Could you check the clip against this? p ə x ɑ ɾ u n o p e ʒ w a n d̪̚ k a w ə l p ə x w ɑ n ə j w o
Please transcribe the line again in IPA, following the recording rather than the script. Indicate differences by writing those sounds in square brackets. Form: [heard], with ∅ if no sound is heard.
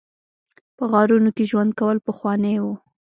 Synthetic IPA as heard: p ə [ɣ] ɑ ɾ u n o [k] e ʒ w a n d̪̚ k a w ə l p ə x w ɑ n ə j w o